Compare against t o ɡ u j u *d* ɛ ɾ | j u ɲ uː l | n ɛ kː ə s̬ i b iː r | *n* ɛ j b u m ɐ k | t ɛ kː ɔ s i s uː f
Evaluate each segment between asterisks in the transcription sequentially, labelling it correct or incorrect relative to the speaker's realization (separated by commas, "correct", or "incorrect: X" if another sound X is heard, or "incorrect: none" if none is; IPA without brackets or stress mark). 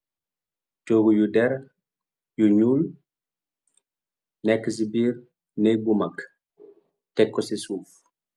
correct, correct